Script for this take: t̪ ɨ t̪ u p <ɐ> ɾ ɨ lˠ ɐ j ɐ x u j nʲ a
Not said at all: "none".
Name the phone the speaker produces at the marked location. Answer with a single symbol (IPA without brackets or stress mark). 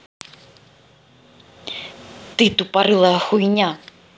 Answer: a